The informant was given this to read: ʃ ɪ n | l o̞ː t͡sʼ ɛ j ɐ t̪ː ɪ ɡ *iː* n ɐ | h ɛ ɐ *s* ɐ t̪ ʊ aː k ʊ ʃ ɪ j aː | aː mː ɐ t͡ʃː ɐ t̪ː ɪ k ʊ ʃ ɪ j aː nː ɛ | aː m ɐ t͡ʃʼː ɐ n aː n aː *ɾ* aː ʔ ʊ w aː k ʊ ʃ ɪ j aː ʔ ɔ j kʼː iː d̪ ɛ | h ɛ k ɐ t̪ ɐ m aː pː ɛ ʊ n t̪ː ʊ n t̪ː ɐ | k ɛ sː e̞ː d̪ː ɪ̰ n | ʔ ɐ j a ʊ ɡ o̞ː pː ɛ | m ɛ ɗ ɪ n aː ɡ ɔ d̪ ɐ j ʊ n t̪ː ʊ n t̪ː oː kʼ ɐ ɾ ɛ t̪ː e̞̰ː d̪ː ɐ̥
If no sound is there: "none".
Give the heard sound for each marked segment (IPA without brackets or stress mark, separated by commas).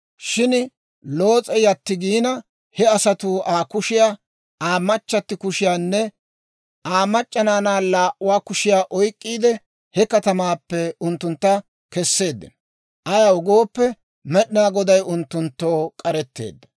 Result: iː, s, l